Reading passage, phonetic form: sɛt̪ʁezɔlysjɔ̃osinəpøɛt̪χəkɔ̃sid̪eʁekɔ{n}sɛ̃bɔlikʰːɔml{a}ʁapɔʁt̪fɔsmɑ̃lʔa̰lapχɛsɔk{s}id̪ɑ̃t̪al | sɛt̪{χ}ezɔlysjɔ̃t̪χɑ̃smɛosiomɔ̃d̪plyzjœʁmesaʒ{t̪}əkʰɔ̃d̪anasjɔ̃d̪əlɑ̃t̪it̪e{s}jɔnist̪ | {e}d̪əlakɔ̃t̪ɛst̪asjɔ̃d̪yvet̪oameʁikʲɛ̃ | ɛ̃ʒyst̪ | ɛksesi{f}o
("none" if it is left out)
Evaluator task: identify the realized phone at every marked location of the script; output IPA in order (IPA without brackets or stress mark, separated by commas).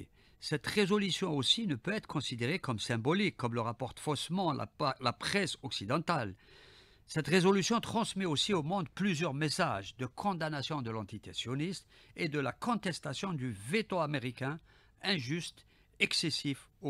m, ə, s, ʁ, d̪, s, e, f